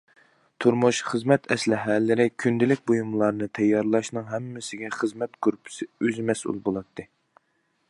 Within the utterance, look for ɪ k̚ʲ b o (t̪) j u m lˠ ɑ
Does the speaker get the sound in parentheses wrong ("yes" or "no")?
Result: yes